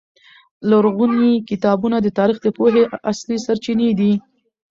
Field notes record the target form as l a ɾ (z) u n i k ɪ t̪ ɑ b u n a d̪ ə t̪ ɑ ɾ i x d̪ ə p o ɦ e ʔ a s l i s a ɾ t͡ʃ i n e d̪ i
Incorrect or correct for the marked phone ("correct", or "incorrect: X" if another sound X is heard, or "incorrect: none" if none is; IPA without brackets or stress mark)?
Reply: incorrect: ɣ